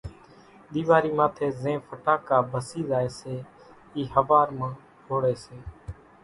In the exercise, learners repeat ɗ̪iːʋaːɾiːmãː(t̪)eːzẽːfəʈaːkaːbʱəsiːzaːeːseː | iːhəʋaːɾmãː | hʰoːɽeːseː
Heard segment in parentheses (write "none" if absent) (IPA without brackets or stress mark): t̪ʰ